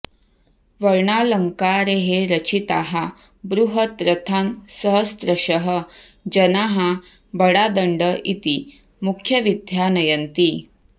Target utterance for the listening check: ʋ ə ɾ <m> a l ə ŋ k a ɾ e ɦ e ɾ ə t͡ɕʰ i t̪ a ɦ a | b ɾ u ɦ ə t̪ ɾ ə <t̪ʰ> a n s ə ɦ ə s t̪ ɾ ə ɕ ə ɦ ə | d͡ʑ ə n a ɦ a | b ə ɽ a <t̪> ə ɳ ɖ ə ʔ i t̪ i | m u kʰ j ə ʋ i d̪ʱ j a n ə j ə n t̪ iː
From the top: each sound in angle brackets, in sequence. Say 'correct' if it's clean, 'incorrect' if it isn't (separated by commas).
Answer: incorrect, correct, incorrect